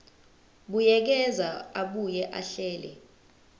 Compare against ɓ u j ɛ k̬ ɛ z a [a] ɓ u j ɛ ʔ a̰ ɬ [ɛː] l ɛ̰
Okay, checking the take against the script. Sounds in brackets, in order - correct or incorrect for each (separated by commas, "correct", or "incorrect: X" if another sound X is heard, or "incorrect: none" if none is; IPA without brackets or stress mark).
correct, correct